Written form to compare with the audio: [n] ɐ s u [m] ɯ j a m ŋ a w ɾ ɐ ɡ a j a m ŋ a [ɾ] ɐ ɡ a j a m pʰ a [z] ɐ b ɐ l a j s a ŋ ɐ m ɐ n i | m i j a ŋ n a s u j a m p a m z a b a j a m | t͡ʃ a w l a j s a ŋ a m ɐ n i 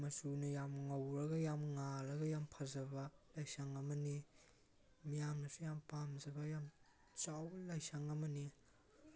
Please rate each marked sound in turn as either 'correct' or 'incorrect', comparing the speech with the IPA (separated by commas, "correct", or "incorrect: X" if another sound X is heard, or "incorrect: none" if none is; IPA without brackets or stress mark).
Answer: incorrect: m, incorrect: n, correct, correct